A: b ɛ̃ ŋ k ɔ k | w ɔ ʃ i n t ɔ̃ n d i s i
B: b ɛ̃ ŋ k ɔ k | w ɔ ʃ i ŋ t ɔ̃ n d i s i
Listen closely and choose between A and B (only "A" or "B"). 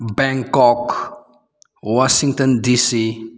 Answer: B